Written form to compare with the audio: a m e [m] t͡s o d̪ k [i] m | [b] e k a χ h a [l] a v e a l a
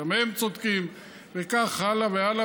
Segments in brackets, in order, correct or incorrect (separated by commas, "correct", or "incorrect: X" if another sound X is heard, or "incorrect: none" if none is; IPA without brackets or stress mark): correct, correct, incorrect: v, correct